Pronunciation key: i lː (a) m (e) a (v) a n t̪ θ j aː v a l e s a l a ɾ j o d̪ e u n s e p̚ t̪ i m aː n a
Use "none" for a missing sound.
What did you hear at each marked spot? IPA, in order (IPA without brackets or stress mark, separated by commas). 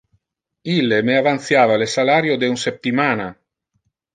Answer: e, e, v